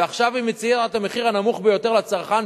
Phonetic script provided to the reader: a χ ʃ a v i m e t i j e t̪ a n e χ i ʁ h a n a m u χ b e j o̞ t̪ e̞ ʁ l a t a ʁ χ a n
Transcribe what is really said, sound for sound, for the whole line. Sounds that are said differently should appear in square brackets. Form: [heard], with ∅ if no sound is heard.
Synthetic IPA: a χ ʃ a v i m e [t͡s] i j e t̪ a [m] e χ i ʁ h a n a m u χ b e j o̞ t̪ e̞ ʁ l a [t͡s] a ʁ χ a n